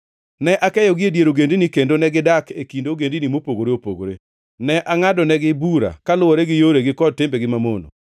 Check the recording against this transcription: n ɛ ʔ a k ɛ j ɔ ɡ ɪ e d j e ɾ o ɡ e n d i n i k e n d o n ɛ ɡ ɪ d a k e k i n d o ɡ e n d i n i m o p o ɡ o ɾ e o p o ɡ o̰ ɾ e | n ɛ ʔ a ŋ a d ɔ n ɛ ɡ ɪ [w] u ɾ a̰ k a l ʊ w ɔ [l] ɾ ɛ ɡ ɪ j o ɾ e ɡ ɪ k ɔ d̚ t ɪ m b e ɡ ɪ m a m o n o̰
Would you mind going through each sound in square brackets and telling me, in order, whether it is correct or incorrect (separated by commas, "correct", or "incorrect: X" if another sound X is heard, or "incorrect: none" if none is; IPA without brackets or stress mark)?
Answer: incorrect: b, incorrect: none